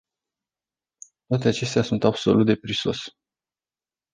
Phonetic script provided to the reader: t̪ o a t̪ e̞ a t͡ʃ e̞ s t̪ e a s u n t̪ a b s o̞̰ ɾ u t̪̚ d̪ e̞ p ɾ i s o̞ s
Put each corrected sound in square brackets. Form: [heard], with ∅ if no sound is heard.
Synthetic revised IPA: t̪ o a t̪ e̞ a t͡ʃ e̞ s t̪ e a s u n t̪ a b s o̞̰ [l] u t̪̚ d̪ e̞ p ɾ i s o̞ s

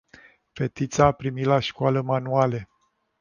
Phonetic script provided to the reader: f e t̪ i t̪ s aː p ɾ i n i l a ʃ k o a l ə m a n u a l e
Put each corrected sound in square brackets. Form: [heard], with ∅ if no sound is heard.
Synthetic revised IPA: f e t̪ i t̪ s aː p ɾ i [m] i l a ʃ k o a l ə m a n u a l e

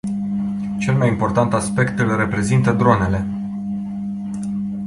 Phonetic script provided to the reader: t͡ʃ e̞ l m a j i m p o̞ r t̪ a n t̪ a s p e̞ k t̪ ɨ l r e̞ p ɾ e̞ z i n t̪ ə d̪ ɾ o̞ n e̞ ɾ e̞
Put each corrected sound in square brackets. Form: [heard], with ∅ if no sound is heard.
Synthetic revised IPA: t͡ʃ e̞ l m a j i m p o̞ r t̪ a n t̪ a s p e̞ k t̪ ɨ l r e̞ p ɾ e̞ z i n t̪ ə d̪ ɾ o̞ n e̞ [l] e̞

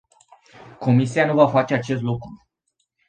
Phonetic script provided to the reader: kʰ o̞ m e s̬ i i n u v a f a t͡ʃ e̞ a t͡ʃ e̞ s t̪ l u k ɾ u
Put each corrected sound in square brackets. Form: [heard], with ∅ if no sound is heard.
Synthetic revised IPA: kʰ o̞ m [i] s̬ i [a] n u v a f a t͡ʃ e̞ a t͡ʃ e̞ s t̪ l u k ɾ u

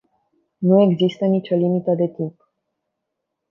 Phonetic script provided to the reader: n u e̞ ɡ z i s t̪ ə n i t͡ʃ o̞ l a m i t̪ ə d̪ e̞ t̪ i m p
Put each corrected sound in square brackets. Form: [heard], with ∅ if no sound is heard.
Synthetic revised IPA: n u e̞ ɡ z i s t̪ ə n i t͡ʃ o̞ l [i] m i t̪ ə d̪ e̞ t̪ i m p

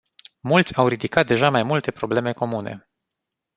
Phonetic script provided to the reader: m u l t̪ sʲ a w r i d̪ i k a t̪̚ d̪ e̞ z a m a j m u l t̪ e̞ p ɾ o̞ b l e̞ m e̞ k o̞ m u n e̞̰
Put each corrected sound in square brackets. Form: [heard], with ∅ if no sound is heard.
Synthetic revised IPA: m u l t̪ sʲ a w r i d̪ i k a t̪̚ d̪ e̞ [ʒ] a m a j m u l t̪ e̞ p ɾ o̞ b l e̞ m e̞ k o̞ m u n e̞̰

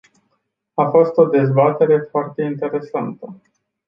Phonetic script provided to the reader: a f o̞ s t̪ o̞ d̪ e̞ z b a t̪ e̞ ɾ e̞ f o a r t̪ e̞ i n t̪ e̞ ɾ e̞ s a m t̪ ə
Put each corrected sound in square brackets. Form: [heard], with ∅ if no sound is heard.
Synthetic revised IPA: a f o̞ s t̪ o̞ d̪ e̞ z b a t̪ e̞ ɾ e̞ f o a r t̪ e̞ i n t̪ e̞ ɾ e̞ s a [n] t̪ ə

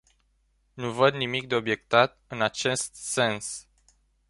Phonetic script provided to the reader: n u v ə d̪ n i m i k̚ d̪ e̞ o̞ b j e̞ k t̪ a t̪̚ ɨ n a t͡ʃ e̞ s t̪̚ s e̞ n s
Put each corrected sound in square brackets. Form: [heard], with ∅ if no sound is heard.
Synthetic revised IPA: n u v ə d̪ n i m i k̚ d̪ e̞ o̞ b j e̞ k t̪ a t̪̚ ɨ n a t͡ʃ e̞ s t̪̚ s e̞ n s

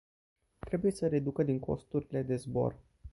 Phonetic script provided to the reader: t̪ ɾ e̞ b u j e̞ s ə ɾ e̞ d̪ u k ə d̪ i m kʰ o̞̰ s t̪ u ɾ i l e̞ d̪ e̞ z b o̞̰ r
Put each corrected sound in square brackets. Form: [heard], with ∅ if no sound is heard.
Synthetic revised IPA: t̪ ɾ e̞ b u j e̞ s ə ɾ e̞ d̪ u k ə d̪ i [ŋ] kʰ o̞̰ s t̪ u ɾ i l e̞ d̪ e̞ z b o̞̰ r

